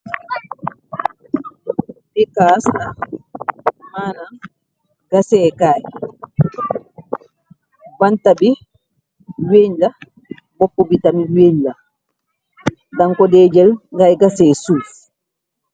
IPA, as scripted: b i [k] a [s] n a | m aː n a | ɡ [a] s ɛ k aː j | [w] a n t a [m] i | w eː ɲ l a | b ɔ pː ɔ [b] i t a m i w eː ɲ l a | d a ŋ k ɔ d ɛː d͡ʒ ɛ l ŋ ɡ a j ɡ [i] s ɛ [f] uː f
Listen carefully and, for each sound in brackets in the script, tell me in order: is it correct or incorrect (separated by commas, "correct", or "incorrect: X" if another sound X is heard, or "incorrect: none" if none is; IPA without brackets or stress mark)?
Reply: correct, correct, correct, incorrect: b, incorrect: b, correct, incorrect: a, incorrect: s